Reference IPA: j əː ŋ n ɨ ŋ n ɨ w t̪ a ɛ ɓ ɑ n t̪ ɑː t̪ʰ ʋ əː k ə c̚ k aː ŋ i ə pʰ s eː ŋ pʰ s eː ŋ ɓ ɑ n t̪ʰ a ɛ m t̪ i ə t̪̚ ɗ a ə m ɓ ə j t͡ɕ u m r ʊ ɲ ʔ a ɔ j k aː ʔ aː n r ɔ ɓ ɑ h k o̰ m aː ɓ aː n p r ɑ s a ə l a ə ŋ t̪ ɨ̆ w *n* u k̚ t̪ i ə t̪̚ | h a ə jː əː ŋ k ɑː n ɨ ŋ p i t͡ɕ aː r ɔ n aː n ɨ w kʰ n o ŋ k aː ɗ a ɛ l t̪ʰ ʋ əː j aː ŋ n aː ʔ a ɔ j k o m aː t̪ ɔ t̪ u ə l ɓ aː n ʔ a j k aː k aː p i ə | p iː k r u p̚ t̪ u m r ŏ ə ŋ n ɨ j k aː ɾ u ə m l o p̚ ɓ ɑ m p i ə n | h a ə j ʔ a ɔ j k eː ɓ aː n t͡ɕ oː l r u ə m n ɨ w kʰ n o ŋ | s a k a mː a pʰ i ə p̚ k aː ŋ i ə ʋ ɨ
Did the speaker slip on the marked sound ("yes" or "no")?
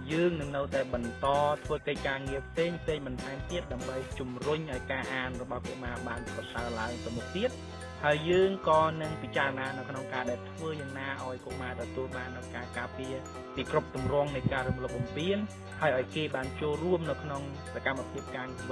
yes